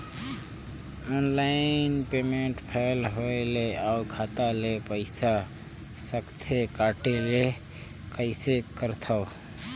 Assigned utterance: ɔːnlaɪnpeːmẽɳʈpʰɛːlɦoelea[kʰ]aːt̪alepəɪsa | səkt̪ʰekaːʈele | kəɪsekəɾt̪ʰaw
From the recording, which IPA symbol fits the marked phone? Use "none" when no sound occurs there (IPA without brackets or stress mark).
kʰ